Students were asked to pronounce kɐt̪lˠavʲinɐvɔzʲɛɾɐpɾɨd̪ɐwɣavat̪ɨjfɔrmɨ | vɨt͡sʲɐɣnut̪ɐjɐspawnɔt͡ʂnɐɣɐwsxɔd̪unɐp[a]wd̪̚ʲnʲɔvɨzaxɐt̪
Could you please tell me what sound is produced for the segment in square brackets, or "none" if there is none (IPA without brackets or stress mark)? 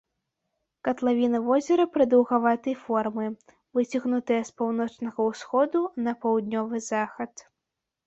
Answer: ɐ